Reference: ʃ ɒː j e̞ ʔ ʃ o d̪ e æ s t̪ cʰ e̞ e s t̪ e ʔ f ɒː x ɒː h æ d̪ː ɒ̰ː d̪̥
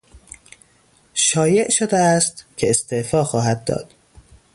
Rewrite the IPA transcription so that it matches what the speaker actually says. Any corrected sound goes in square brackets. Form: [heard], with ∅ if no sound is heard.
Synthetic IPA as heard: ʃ ɒː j e̞ ʔ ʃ o d̪ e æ s t̪ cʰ e̞ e s t̪ e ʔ f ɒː x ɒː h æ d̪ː ɒ̰ː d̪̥